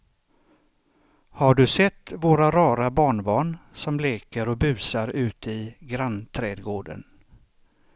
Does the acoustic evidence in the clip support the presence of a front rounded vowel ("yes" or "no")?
no